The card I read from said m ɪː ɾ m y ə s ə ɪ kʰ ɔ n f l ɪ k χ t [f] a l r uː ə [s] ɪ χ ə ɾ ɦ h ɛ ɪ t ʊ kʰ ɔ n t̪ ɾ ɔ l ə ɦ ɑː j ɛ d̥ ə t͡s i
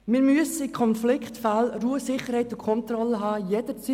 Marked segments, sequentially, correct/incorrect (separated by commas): correct, correct